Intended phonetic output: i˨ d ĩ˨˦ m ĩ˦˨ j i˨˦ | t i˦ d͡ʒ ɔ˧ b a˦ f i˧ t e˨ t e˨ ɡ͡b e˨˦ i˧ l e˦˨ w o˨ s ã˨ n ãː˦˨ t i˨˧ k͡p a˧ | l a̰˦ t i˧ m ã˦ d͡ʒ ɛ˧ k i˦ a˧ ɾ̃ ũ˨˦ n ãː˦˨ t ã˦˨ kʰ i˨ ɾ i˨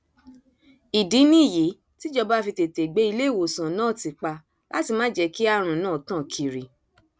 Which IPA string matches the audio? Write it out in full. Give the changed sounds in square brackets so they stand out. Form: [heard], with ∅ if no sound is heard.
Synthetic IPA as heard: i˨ d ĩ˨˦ [n] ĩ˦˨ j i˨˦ | t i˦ d͡ʒ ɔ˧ b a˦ f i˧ t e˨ t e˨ ɡ͡b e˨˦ i˧ l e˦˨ w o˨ s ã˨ n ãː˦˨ t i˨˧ k͡p a˧ | l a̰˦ t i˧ m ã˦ d͡ʒ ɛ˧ k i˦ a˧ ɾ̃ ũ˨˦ n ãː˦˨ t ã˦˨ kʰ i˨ ɾ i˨